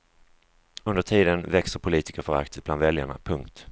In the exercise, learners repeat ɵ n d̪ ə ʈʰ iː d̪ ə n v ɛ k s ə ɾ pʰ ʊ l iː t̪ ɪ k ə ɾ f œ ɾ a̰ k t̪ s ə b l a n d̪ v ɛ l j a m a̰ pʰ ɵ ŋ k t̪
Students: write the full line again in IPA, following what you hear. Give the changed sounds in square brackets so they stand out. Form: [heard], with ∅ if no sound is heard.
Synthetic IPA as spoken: ɵ n d̪ ə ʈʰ iː d̪ ə n v ɛ k s ə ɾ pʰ ʊ l iː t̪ ɪ k ə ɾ f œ ɾ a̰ k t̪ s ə b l a n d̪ v ɛ l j a [ɳ] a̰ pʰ ɵ ŋ k t̪